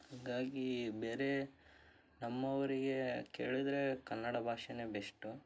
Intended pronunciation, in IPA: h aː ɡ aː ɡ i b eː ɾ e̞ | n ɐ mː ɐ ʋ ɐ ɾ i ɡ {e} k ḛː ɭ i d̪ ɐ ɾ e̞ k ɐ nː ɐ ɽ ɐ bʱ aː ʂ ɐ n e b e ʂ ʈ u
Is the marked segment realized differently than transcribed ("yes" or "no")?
no